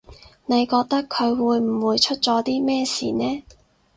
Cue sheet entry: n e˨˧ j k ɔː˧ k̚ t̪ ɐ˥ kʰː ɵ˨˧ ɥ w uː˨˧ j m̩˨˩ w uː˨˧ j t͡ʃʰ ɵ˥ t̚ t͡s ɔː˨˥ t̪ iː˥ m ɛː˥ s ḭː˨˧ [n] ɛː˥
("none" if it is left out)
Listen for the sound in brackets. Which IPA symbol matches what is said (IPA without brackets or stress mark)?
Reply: n